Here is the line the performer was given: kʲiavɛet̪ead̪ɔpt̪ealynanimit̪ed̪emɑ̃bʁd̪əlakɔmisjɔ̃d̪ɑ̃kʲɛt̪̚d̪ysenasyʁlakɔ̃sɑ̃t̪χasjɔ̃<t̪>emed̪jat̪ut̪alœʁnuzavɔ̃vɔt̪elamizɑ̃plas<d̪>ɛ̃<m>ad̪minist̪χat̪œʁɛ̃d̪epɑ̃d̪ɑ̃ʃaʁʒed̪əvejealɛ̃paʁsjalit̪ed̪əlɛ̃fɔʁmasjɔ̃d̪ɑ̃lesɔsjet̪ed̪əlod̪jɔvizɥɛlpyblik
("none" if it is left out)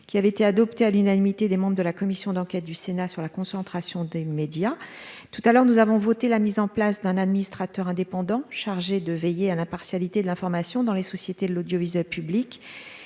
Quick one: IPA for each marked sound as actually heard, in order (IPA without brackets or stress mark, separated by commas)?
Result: d̪, d̪, n